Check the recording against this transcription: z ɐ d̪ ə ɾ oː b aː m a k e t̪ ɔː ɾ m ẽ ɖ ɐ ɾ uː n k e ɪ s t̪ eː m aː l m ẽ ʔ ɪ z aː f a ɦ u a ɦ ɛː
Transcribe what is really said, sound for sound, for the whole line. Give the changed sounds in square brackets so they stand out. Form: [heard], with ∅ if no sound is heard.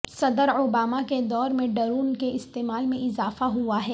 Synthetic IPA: [s] ɐ d̪ ə ɾ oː b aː m a k e [d̪] ɔː ɾ m ẽ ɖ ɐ ɾ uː n k e ɪ s t̪ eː m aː l m ẽ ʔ ɪ z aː f a ɦ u a ɦ ɛː